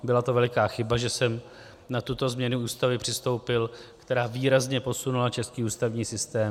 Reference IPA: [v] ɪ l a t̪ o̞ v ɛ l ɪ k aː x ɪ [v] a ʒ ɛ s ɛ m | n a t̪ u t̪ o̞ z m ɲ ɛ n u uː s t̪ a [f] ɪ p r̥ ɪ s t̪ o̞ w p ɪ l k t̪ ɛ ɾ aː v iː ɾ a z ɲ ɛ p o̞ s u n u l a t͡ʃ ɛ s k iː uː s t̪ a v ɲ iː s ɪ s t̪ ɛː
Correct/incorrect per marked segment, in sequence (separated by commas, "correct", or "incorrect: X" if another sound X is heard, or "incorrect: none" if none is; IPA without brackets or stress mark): incorrect: b, incorrect: b, incorrect: v